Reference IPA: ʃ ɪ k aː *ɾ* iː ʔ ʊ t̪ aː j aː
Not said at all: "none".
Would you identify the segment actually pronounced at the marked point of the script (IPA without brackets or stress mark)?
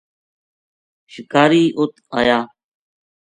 ɾ